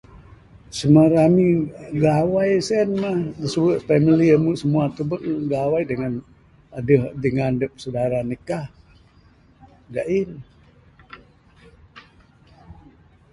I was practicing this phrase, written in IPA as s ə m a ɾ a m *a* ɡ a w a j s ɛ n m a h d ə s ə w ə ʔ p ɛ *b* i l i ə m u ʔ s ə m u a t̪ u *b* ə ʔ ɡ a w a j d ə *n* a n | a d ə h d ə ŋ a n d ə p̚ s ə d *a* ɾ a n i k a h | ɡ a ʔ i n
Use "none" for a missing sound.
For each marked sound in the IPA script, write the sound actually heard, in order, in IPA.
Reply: i, m, b, ŋ, a

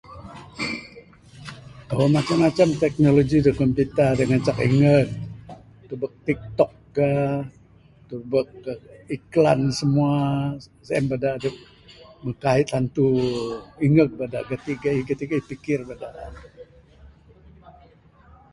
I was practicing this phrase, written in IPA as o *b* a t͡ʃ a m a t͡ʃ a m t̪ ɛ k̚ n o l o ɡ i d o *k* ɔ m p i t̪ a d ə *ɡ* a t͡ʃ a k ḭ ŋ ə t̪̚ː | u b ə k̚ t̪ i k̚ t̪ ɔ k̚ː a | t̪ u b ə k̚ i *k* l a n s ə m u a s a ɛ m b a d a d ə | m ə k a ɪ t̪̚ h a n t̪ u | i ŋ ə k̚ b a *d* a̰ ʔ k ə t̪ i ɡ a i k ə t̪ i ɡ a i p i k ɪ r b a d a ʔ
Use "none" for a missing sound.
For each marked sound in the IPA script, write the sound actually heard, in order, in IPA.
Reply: m, k, ŋ, k, d

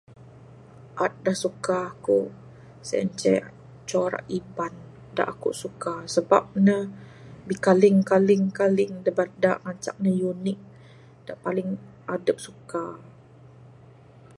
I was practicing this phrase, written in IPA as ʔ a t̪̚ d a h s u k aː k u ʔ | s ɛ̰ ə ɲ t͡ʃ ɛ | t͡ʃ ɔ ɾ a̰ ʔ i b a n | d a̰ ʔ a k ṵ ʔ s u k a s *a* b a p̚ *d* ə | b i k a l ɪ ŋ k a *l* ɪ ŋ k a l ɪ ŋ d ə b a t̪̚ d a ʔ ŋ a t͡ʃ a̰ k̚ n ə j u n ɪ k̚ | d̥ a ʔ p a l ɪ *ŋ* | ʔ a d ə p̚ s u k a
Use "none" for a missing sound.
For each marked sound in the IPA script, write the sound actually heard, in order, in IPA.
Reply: ə, n, l, ŋ

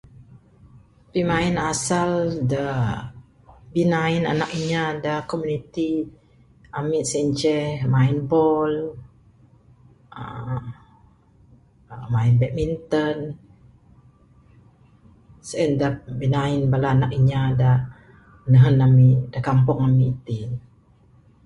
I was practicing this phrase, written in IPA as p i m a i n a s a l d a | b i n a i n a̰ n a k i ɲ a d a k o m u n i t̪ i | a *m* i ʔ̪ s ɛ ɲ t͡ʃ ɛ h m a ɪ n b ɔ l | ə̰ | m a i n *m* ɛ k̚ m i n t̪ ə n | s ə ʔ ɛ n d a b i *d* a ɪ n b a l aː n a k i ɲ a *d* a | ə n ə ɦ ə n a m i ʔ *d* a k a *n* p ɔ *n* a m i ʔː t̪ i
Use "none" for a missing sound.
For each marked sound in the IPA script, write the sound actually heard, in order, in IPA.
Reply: m, b, n, d, d, m, ŋ

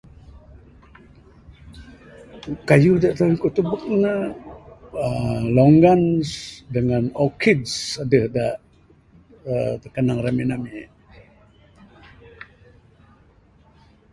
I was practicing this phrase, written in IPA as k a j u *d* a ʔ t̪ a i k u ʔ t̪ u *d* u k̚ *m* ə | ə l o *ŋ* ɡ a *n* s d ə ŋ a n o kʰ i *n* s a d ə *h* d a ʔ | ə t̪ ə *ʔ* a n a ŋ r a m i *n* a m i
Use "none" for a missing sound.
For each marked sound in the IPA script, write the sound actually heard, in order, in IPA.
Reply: d, b, n, ŋ, n, d, h, k, n

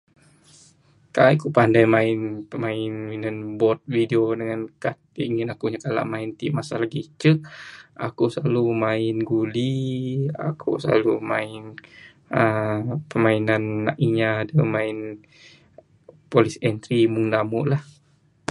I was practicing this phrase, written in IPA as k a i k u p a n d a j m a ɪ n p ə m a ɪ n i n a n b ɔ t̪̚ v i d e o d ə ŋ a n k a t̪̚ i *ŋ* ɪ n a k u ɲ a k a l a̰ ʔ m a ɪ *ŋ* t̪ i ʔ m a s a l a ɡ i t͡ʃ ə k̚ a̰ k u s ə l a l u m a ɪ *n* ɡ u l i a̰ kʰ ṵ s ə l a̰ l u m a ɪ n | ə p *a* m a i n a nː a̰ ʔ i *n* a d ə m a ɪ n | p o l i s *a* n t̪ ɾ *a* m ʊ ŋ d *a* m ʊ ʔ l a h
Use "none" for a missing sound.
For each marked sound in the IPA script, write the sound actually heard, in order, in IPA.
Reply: ŋ, n, n, ə, ɲ, ɛ, i, a

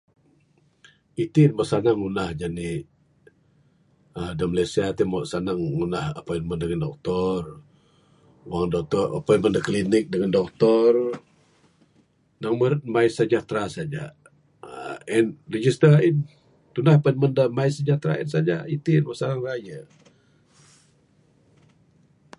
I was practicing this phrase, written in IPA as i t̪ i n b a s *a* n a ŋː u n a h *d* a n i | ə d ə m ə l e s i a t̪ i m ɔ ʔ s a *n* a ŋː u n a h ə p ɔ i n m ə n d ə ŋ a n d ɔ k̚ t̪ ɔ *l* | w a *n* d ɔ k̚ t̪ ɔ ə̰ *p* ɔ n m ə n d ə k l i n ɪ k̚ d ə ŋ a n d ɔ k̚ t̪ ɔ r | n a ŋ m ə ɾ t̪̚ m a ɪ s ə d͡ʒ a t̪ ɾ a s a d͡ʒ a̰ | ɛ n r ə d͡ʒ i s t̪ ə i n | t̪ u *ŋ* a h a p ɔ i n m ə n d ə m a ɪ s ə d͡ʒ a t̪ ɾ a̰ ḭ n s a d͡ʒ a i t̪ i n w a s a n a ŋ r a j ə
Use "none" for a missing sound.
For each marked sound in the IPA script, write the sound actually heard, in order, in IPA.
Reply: a, d͡ʒ, n, r, ŋ, p, n

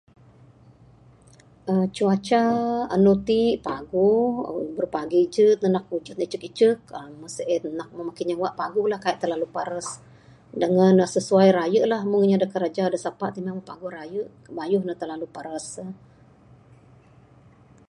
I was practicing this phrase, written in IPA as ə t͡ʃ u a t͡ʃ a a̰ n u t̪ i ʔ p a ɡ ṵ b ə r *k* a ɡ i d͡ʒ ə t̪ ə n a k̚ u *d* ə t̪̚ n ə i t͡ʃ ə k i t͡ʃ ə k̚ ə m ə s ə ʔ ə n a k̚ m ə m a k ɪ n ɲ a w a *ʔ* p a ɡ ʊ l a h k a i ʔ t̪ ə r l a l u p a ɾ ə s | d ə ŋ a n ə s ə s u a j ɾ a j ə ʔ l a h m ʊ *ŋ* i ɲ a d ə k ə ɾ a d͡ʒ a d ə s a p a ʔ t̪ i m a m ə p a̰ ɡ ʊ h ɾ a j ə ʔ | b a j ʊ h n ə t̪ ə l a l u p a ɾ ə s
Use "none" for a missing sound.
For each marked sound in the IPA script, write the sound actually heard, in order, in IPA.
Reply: p, d͡ʒ, ʔ, ŋ

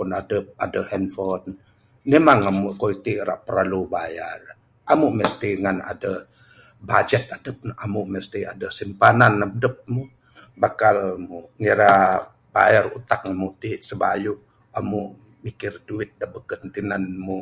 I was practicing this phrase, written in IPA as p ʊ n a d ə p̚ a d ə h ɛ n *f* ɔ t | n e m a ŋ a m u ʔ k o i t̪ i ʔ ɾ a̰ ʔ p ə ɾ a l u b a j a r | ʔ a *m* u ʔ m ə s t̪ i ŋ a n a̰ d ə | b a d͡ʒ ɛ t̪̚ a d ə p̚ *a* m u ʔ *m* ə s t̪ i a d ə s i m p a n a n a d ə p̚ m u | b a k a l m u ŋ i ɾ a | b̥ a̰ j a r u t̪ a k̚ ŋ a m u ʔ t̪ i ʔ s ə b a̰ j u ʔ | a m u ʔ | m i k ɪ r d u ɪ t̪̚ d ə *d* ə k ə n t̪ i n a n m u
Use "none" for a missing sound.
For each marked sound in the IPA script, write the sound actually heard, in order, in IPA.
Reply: f, m, a, m, b

